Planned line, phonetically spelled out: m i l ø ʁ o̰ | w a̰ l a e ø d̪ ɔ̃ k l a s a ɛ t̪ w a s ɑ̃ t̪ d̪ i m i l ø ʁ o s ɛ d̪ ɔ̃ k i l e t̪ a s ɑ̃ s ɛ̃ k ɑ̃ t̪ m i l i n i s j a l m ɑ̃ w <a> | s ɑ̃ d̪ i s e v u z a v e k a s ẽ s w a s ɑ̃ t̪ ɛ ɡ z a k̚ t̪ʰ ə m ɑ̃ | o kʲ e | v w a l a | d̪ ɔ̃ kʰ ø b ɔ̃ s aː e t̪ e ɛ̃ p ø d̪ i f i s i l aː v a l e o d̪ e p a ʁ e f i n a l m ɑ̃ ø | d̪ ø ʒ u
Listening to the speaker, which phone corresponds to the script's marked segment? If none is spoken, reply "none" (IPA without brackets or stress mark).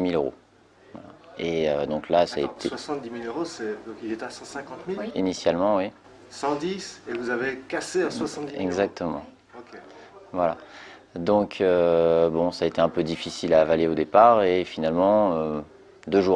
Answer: i